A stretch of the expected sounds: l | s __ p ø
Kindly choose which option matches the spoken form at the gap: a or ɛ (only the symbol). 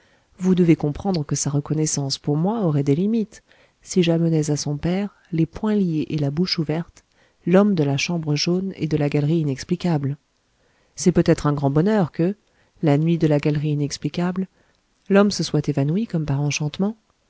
ɛ